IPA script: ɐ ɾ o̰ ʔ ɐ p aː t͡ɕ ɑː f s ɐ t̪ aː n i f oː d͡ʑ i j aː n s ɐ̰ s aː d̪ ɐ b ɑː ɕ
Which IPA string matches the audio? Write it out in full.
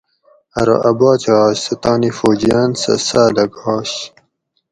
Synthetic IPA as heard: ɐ ɾ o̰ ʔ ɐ b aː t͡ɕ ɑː ɕ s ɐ t̪ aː n i f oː d͡ʑ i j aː n s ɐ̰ s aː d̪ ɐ ɡ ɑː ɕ